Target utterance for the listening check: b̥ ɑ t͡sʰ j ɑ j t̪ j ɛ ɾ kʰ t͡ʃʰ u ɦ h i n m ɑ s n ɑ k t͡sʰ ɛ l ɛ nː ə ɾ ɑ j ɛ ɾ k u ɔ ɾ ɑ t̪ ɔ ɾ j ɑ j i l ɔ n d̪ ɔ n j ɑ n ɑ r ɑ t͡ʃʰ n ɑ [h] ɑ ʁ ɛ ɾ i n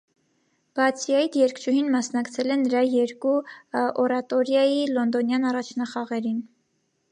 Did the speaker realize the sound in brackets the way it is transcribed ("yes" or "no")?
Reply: no